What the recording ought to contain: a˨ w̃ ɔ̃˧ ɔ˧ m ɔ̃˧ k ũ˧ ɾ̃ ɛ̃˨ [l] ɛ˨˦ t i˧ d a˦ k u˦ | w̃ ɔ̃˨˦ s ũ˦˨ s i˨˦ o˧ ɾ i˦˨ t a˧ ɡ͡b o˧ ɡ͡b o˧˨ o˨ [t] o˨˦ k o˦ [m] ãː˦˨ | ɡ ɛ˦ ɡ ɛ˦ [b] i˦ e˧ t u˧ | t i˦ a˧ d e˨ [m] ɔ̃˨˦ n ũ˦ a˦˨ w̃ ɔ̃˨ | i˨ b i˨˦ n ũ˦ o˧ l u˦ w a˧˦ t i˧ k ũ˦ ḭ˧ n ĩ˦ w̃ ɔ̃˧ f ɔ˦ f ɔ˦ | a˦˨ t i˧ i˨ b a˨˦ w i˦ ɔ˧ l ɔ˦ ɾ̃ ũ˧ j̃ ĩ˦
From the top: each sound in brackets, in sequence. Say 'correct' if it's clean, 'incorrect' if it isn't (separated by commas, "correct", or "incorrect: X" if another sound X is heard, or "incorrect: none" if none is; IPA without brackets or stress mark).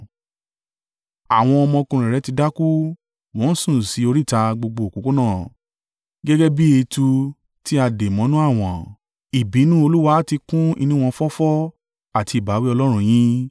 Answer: incorrect: ɾ, incorrect: k, incorrect: n, correct, correct